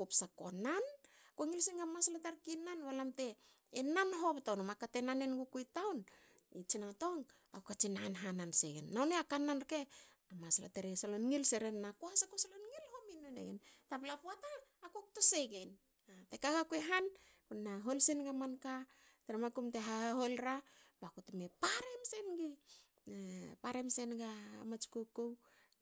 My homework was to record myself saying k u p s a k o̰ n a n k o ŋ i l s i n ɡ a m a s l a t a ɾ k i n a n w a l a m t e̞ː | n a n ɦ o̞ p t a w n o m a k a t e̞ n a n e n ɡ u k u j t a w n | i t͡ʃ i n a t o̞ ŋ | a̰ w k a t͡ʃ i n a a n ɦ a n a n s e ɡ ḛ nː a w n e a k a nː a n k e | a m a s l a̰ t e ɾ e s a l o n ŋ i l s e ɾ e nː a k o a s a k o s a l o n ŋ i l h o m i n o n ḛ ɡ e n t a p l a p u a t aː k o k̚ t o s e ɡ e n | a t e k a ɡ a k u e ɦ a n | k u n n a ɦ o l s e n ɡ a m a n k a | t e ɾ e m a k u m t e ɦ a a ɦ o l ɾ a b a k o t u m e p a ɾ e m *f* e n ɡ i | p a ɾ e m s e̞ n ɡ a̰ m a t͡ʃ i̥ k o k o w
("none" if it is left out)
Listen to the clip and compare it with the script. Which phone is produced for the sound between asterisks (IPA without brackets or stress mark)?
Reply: s